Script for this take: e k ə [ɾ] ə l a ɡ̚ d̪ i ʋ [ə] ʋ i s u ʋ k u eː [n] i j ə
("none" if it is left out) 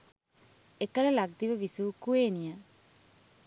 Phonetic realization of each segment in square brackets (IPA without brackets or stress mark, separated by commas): l, ə, n